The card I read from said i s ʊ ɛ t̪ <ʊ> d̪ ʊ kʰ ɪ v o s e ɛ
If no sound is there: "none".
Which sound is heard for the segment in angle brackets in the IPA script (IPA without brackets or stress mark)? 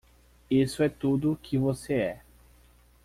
u